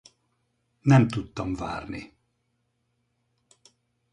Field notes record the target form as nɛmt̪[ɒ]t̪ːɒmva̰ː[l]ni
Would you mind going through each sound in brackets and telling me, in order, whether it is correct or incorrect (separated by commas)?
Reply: incorrect, incorrect